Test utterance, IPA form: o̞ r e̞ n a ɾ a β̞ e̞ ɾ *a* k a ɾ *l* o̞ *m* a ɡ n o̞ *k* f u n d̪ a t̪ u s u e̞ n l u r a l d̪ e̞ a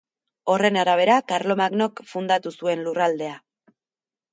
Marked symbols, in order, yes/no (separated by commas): yes, yes, yes, yes